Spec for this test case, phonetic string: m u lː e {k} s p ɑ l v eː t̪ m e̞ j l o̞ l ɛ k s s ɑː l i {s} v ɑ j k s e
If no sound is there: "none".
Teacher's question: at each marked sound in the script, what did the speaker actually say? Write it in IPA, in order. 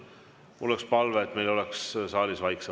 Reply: k, s

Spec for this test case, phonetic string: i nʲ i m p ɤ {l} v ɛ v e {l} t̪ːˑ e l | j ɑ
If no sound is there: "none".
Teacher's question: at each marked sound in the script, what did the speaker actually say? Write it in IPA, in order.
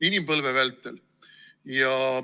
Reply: l, l

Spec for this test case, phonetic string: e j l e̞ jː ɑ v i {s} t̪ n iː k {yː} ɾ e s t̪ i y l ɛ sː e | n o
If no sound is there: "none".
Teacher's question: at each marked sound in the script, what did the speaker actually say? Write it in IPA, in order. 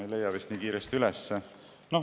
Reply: s, iː

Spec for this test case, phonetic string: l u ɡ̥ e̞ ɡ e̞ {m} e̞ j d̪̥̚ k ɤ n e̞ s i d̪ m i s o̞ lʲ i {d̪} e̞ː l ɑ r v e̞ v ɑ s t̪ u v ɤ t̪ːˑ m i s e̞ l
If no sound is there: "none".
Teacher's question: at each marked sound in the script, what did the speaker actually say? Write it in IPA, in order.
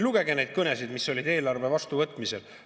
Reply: n, d̪

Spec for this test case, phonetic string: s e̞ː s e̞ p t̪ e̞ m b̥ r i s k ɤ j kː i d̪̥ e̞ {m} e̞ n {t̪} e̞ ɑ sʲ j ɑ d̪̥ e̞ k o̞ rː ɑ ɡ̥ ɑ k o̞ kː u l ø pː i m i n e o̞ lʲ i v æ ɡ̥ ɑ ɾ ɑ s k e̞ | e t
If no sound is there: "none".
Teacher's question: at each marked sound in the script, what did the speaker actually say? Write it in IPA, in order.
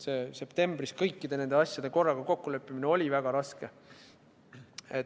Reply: n, d̪

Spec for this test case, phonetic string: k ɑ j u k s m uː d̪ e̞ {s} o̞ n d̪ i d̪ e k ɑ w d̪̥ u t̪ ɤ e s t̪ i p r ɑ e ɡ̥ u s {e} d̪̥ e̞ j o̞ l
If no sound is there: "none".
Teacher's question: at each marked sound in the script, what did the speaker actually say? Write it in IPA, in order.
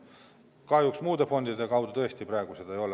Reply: f, e

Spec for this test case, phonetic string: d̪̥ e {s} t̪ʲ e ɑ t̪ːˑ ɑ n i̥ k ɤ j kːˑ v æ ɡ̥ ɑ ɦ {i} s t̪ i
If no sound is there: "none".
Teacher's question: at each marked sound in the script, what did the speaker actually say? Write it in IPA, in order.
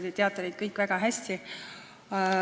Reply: none, æ

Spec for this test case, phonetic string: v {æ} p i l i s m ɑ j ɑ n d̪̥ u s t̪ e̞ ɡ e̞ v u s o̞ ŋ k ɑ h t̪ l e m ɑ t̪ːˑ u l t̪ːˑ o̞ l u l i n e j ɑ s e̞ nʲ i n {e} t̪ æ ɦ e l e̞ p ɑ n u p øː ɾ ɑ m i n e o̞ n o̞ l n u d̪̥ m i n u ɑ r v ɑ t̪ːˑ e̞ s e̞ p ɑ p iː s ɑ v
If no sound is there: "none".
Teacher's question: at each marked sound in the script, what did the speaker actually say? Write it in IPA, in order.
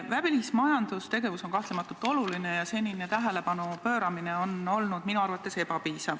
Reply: æ, e

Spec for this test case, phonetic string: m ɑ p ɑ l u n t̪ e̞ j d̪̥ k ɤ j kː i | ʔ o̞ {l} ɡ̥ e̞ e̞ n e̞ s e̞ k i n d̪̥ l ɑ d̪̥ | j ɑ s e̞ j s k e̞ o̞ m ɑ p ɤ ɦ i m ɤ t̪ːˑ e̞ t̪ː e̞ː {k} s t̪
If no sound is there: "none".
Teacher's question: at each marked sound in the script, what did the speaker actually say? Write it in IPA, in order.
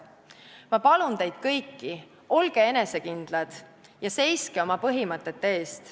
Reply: l, none

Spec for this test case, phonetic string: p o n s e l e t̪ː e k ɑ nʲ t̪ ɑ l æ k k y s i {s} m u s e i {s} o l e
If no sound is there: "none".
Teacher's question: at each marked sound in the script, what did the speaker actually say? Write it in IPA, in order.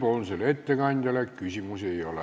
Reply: none, none

